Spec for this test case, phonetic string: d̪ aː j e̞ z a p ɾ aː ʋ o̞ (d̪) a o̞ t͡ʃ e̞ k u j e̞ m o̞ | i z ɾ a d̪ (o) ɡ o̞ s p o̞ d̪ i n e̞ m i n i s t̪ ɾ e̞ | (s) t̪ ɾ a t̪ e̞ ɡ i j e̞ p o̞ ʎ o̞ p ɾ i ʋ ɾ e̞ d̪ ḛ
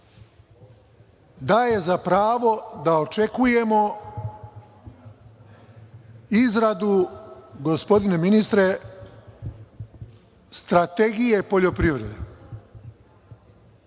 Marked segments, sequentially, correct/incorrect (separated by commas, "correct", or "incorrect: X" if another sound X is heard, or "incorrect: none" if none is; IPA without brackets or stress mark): correct, incorrect: u, correct